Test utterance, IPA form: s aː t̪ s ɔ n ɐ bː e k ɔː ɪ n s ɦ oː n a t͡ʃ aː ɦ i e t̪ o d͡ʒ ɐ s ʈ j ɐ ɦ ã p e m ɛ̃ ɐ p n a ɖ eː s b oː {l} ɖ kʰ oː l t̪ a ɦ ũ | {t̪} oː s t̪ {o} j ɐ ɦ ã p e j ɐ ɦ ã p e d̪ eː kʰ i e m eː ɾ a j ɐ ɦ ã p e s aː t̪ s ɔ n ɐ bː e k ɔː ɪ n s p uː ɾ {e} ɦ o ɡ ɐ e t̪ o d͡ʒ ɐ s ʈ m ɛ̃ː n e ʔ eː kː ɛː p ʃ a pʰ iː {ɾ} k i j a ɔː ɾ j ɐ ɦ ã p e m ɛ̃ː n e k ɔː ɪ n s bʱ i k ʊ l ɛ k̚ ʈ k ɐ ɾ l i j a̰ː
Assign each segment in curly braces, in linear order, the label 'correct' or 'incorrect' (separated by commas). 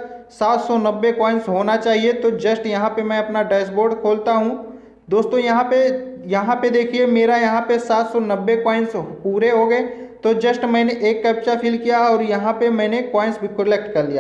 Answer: incorrect, incorrect, incorrect, correct, incorrect